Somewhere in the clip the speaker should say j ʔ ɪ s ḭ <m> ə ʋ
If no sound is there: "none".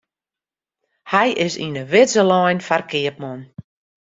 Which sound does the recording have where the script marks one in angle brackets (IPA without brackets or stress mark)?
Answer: n